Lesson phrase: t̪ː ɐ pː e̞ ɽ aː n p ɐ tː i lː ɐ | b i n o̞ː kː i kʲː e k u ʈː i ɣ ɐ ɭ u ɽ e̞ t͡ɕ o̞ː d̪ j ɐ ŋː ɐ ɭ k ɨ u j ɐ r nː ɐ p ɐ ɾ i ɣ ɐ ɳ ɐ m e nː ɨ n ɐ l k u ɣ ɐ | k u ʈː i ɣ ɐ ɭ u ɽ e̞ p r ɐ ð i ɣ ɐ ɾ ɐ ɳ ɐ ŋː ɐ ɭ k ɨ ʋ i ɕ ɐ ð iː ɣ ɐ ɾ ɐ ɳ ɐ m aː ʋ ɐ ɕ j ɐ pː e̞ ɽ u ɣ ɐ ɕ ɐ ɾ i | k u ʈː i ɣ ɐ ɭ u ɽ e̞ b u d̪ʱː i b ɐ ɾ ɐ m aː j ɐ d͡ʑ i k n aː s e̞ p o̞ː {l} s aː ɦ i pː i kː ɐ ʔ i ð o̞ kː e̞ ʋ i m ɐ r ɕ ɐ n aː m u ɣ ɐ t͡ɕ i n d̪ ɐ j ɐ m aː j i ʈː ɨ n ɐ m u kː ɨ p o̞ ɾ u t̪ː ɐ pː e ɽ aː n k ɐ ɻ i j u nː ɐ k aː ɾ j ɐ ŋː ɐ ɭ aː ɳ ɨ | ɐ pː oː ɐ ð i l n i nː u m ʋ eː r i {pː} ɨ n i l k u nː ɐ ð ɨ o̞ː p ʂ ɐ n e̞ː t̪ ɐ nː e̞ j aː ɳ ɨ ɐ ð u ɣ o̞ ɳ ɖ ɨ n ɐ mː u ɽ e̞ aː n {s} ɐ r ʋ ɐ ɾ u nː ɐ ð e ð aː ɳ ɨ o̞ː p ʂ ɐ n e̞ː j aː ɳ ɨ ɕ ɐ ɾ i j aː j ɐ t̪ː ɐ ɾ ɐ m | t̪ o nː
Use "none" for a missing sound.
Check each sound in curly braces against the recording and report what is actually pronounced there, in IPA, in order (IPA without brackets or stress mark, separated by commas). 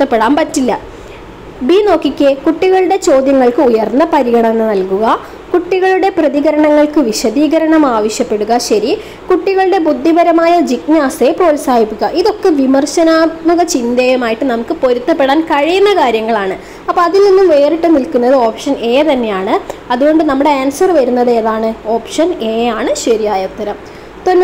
l, ʈː, s